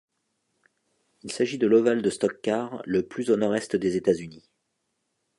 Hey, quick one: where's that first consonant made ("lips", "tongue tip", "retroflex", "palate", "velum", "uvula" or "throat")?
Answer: tongue tip